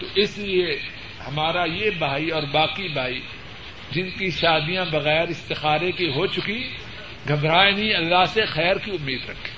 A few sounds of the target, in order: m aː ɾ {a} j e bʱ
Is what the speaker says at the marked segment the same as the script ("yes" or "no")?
yes